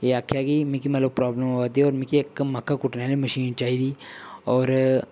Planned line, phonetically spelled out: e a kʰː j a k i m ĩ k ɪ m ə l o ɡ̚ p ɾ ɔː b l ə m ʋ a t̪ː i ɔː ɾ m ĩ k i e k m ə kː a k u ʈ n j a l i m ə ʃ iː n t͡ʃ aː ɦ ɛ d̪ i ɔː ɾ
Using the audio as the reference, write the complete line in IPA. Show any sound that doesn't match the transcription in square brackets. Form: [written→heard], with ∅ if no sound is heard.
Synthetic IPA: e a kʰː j a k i m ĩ k [ɪ→i] m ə l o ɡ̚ p ɾ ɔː b l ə m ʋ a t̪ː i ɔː ɾ m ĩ k i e k m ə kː a k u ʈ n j a l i m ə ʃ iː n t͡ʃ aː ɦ [ɛ→i] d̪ i ɔː ɾ